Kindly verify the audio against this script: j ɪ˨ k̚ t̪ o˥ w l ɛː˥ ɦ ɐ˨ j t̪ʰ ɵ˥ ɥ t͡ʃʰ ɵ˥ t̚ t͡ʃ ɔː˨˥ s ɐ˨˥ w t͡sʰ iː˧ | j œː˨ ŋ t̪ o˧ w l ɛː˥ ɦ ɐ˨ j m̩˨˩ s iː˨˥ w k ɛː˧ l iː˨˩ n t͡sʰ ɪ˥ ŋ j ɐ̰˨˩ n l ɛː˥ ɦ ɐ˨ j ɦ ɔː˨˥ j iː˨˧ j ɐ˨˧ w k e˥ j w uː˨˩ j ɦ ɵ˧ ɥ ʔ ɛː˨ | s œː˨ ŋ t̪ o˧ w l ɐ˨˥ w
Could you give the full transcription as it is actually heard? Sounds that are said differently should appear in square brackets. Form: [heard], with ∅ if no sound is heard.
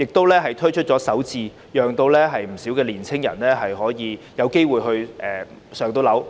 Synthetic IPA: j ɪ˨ k̚ t̪ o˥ w l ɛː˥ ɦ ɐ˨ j t̪ʰ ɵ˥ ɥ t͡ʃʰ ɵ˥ t̚ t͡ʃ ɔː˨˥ s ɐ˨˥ w [t͡s] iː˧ | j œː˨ ŋ t̪ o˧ w l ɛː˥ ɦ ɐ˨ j m̩˨˩ s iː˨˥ w k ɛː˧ l iː˨˩ n t͡sʰ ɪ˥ ŋ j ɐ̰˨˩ n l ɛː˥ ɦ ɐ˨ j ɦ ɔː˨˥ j iː˨˧ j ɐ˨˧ w k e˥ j w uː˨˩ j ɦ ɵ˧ ɥ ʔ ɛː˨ | s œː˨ ŋ t̪ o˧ w l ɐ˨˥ w